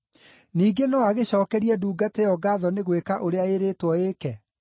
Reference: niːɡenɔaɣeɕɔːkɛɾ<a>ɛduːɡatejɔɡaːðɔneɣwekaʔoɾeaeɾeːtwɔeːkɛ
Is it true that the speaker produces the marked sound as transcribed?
no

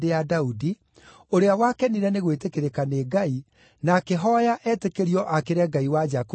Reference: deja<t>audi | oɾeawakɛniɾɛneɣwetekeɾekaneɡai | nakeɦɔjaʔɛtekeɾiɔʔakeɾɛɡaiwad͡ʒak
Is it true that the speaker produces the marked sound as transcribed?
no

